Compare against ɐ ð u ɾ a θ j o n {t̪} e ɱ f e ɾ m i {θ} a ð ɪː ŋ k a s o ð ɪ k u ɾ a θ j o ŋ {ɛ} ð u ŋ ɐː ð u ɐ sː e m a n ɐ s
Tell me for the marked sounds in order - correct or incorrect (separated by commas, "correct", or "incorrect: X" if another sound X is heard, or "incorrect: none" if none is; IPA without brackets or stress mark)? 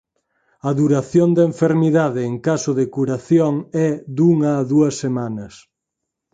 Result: incorrect: d̪, incorrect: ð, correct